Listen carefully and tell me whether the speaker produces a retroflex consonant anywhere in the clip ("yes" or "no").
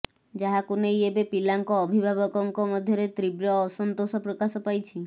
no